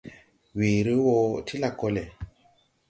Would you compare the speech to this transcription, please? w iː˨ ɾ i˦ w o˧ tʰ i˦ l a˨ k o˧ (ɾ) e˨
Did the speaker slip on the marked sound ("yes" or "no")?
yes